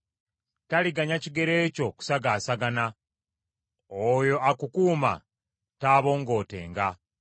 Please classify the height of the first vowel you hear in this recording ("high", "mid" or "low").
low